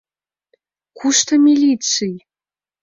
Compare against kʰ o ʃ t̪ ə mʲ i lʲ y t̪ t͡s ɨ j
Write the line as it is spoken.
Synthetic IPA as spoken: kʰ u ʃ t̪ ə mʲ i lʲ i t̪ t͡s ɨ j

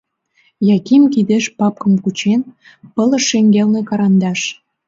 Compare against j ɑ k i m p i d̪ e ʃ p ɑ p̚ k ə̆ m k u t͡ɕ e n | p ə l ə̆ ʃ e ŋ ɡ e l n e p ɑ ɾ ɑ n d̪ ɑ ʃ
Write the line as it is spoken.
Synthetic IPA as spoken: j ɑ k i m k i d̪ e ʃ p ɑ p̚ k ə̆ m k u t͡ɕ e n | p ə l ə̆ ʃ e ŋ ɡ e l n e k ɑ ɾ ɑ n d̪ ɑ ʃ

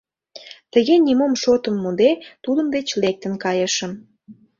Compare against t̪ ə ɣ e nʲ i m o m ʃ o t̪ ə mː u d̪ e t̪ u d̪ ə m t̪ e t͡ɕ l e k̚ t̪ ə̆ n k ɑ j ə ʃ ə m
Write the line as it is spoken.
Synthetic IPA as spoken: t̪ ə ɣ e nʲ i m o m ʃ o t̪ ə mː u d̪ e t̪ u d̪ ə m d̪ e t͡ɕ l e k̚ t̪ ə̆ n k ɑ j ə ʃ ə m

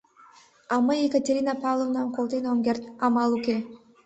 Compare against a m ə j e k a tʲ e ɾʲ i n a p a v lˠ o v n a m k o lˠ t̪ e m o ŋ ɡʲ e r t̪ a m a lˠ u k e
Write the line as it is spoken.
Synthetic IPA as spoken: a m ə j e k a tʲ e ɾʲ i n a p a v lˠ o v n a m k o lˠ t̪ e n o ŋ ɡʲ e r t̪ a m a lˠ u k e

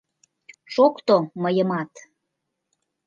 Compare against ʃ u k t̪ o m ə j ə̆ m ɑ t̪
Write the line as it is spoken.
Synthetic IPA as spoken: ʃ o k t̪ o m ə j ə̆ m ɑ t̪

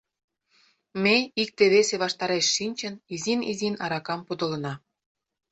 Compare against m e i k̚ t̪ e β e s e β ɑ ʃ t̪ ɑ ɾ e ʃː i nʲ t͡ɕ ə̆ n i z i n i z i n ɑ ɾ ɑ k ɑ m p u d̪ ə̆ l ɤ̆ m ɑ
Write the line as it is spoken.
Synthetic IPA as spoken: m e i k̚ t̪ e β e s e β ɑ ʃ t̪ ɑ ɾ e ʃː i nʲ t͡ɕ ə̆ n i z i n i z i n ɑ ɾ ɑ k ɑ m p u d̪ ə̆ l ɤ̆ n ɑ

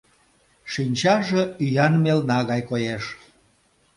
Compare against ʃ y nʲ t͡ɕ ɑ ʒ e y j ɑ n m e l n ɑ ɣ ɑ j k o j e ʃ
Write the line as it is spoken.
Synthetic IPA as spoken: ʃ i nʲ t͡ɕ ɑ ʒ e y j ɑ n m e l n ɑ ɣ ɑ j k o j e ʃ

